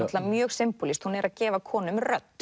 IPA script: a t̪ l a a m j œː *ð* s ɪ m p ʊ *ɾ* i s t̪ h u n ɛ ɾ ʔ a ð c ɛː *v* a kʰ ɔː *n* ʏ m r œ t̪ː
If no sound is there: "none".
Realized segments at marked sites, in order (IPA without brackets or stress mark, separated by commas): ɣ, l, v, n